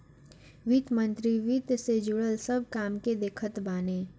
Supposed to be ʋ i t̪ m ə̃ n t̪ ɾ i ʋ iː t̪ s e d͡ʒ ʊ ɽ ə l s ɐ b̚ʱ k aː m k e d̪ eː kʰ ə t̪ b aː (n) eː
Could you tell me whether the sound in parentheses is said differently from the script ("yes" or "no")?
no